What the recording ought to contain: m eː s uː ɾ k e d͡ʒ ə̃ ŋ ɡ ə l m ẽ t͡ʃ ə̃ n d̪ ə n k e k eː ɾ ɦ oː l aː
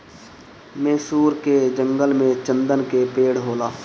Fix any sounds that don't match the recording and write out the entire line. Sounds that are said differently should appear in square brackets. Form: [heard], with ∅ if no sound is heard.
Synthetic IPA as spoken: m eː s uː ɾ k e d͡ʒ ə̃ ŋ ɡ ə l m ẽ t͡ʃ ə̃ n d̪ ə n k e [p] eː [ɽ] ɦ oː l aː